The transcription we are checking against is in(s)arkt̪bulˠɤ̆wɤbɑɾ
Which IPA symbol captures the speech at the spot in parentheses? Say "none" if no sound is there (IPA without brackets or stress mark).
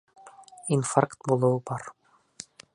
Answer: f